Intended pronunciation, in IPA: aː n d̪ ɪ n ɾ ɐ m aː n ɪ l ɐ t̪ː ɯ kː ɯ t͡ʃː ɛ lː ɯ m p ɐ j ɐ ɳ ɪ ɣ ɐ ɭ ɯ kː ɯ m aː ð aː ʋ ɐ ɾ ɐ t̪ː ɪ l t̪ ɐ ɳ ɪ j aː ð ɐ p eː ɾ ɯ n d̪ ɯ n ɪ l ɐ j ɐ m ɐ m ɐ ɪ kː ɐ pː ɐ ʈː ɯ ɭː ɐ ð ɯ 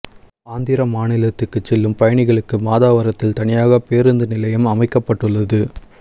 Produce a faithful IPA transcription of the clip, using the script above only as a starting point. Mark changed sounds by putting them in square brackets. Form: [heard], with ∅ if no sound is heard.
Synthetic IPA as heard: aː n d̪ ɪ [∅] ɾ ɐ m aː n ɪ l ɐ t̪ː ɯ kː ɯ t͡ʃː ɛ lː ɯ m p ɐ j ɐ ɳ ɪ ɣ ɐ ɭ ɯ kː ɯ m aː ð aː ʋ ɐ ɾ ɐ t̪ː ɪ l t̪ ɐ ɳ ɪ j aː [ɣ] ɐ p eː ɾ ɯ n d̪ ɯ n ɪ l ɐ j ɐ m ɐ m ɐ ɪ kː ɐ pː ɐ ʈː ɯ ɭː ɐ ð ɯ